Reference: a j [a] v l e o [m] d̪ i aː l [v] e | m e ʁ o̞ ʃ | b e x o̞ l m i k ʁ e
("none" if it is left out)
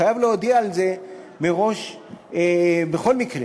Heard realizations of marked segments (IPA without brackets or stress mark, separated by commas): a, none, z